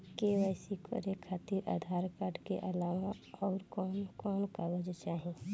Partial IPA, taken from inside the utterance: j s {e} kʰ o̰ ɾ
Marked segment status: incorrect: i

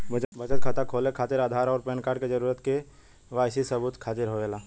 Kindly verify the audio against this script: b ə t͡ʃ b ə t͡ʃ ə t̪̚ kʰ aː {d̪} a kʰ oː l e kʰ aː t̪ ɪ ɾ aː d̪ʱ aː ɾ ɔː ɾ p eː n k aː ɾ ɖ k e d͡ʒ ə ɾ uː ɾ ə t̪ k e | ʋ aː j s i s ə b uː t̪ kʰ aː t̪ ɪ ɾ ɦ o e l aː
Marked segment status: incorrect: t̪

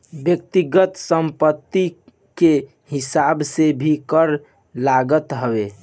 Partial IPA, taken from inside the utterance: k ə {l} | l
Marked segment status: incorrect: ɾ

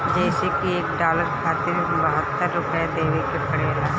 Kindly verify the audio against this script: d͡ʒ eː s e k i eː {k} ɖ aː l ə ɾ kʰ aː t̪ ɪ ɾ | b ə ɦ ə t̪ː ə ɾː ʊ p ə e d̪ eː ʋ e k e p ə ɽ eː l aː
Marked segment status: correct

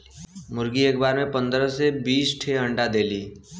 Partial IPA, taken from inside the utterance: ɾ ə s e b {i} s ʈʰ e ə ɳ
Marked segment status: incorrect: iː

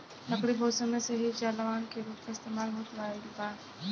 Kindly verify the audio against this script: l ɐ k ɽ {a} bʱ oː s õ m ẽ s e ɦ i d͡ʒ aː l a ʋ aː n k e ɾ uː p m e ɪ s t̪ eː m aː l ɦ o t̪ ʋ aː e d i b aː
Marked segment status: incorrect: i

